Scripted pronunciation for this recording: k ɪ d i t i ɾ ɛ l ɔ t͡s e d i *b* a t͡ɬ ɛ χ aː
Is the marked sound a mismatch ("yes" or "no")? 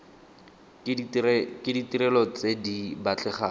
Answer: no